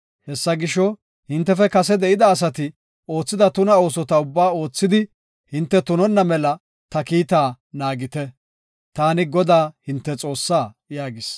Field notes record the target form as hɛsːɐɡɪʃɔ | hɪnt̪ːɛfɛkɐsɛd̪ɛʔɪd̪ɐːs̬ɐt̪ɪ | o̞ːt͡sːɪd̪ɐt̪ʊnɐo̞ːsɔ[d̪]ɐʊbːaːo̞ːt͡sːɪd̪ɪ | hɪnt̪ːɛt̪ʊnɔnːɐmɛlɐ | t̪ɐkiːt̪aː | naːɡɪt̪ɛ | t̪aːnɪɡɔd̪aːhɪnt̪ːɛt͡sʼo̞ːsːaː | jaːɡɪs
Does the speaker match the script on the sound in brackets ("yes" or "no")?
no